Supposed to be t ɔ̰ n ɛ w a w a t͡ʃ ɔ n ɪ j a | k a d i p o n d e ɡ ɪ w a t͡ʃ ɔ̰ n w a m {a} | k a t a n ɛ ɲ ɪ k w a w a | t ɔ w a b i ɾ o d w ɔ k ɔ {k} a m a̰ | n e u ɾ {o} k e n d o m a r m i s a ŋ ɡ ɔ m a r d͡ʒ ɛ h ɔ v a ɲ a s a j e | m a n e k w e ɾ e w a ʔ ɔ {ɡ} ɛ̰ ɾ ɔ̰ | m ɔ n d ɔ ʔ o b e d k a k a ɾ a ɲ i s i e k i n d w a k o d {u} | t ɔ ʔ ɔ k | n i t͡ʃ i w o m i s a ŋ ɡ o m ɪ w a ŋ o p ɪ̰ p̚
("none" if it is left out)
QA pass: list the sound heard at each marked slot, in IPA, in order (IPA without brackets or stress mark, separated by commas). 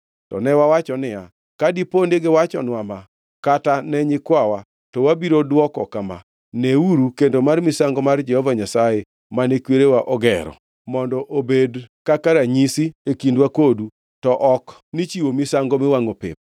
a, k, u, ɡ, u